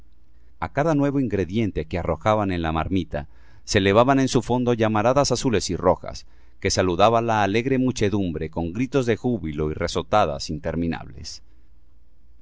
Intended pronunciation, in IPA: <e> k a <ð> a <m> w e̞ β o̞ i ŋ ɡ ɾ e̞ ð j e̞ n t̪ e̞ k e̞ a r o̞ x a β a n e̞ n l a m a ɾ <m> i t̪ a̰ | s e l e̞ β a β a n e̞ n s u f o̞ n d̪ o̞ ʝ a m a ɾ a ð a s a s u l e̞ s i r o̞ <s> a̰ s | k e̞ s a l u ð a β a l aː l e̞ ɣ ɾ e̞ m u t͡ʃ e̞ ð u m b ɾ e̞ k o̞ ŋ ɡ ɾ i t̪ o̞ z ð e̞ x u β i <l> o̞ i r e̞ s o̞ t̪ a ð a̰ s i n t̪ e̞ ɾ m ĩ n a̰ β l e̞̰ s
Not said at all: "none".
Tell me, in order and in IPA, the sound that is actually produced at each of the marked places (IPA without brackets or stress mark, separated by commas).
a, ð, n, m, x, l